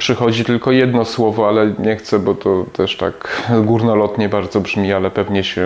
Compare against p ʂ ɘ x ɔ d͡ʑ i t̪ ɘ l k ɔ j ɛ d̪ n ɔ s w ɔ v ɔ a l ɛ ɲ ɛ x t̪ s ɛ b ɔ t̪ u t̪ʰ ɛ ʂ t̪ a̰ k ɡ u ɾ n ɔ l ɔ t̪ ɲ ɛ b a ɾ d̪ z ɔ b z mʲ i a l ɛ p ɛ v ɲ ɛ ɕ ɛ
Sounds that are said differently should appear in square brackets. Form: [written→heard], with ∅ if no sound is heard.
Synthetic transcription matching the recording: p ʂ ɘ x ɔ d͡ʑ i t̪ ɘ l k ɔ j ɛ d̪ n ɔ s w ɔ v ɔ a l ɛ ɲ ɛ x t̪ s ɛ b ɔ t̪ [u→ɔ] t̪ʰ ɛ ʂ t̪ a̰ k ɡ u ɾ n ɔ l ɔ t̪ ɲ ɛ b a ɾ d̪ z ɔ b [z→ʐ] mʲ i a l ɛ p ɛ v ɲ ɛ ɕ ɛ